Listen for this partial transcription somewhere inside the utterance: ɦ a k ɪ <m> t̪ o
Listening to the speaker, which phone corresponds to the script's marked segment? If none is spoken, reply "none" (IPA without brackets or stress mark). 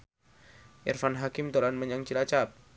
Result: m